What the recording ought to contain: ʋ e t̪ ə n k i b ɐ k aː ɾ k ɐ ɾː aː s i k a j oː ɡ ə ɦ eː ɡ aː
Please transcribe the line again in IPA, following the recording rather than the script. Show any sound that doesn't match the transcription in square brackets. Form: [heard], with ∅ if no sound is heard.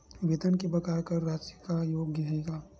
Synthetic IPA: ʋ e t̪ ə n k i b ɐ k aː ɾ k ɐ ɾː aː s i k a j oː ɡ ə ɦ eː ɡ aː